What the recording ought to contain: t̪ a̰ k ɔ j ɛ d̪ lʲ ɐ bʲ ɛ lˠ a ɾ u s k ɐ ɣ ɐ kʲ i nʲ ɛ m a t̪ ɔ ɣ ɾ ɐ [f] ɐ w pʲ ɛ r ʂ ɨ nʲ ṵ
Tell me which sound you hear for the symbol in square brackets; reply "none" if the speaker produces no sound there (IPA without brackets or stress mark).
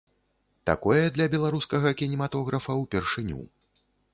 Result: f